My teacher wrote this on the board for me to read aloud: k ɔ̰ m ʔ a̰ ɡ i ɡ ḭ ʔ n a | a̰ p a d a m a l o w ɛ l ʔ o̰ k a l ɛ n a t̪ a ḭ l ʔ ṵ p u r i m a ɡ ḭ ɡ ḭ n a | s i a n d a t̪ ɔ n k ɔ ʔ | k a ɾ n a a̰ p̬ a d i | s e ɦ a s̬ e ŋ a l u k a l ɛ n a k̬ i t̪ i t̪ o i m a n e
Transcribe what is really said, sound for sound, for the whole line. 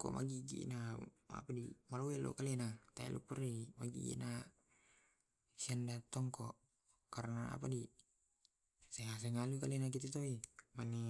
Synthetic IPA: k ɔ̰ m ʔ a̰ ɡ i ɡ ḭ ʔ n a | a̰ p a d i m a l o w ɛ l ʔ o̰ k a l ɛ n a t̪ a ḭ l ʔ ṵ p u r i m a ɡ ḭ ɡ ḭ n a | s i a n d a t̪ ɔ ŋ k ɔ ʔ | k a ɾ n a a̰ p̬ a d i | s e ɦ a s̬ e ŋ a l u k a l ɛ n a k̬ i t̪ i t̪ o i m a n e